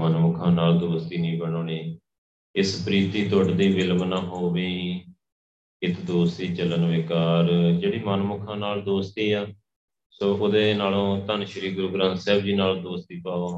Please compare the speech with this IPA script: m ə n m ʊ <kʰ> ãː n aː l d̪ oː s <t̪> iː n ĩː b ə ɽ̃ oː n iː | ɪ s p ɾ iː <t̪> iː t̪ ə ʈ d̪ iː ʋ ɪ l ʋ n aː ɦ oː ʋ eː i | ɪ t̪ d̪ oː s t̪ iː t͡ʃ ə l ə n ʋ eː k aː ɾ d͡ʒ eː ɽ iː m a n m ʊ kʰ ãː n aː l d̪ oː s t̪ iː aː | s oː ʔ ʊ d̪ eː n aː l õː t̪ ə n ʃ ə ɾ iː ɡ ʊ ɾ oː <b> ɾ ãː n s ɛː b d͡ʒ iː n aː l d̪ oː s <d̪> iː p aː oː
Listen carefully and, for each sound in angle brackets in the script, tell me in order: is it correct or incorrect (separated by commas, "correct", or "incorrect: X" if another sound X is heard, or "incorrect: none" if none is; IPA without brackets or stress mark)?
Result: correct, correct, correct, incorrect: ɡ, incorrect: t̪